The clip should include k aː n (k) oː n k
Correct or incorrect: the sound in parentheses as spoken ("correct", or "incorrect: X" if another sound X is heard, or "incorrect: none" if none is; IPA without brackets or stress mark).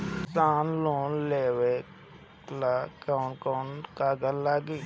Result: correct